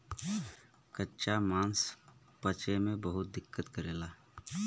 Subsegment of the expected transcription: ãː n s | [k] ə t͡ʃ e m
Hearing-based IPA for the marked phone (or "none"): p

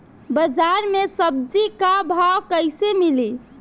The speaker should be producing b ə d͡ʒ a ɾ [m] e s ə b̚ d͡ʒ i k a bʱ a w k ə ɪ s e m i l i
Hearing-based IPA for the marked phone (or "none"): m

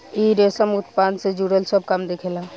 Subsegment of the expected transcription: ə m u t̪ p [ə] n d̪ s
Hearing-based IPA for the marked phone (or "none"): a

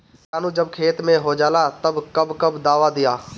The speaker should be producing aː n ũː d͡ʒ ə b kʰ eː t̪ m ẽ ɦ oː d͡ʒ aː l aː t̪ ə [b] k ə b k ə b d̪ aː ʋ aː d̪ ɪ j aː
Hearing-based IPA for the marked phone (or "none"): b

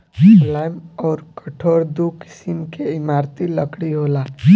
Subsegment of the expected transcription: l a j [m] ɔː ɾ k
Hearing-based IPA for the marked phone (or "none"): m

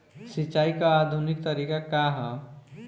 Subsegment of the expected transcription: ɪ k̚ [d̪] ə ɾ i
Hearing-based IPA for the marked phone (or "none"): t̪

